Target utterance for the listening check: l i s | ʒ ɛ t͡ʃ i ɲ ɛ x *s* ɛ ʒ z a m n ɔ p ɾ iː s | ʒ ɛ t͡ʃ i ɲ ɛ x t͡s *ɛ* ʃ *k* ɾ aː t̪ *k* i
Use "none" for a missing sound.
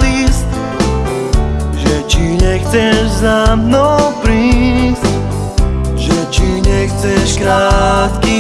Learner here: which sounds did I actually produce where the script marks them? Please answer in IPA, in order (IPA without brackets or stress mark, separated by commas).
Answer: t͡s, ɛ, k, k